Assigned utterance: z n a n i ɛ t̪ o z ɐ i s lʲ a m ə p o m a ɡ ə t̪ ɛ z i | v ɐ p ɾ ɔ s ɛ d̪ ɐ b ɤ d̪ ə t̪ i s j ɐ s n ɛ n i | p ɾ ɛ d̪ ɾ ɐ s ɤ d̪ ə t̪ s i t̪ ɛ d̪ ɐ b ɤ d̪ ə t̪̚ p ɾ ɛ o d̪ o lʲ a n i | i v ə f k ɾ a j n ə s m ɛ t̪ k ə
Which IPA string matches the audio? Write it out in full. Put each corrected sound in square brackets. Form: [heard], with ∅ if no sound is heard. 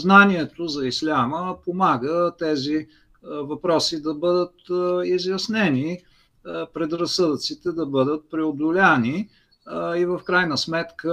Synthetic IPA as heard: z n a n i ɛ t̪ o z ɐ i s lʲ a m ə p o m a ɡ ə t̪ ɛ z i | v ɐ p ɾ ɔ s [i] d̪ ɐ b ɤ d̪ ə t̪ i [z] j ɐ s n ɛ n i | p ɾ ɛ d̪ ɾ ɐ s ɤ d̪ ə t̪ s i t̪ ɛ d̪ ɐ b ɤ d̪ ə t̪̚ p ɾ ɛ o d̪ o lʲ a n i | i v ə f k ɾ a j n ə s m ɛ t̪ k ə